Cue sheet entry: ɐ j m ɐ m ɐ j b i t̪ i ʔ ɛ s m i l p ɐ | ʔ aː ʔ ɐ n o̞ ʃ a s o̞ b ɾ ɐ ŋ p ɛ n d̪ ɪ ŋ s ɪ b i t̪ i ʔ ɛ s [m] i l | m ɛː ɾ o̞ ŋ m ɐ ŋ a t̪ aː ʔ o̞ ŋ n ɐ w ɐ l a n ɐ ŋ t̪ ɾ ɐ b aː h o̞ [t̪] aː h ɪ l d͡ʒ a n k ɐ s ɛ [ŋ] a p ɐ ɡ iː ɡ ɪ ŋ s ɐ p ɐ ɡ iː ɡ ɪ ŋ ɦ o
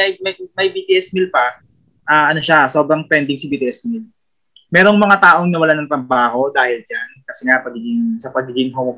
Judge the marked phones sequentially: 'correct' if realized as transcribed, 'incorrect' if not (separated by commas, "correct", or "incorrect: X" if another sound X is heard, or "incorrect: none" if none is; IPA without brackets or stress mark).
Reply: correct, incorrect: d̪, correct